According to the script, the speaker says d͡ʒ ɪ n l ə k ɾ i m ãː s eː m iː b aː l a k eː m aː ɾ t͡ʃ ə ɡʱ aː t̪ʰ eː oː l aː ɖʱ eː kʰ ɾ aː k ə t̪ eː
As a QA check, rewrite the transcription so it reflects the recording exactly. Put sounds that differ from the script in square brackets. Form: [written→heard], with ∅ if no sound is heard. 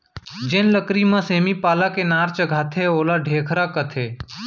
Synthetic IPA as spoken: d͡ʒ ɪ n l ə k ɾ i m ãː s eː m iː [b→p] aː l a k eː [m→n] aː ɾ t͡ʃ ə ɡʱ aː t̪ʰ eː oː l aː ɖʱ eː kʰ ɾ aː k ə [t̪→t̪ʰ] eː